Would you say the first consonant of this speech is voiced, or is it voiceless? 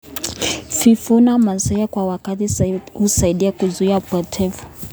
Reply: voiceless